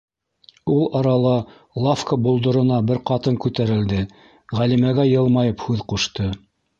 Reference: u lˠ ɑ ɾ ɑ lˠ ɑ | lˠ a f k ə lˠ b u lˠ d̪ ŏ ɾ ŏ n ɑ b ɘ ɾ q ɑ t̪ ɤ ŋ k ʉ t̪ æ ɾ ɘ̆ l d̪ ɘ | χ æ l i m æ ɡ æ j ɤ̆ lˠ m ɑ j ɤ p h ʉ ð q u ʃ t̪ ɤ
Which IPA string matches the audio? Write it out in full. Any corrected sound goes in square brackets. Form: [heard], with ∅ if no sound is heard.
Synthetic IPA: u lˠ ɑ ɾ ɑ lˠ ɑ | lˠ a f k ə [∅] b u lˠ d̪ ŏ ɾ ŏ n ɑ b ɘ ɾ q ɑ t̪ ɤ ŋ k ʉ t̪ æ ɾ ɘ̆ l d̪ ɘ | [ʁ] æ l i m æ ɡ æ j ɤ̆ lˠ m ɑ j ɤ p h ʉ ð q u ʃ t̪ ɤ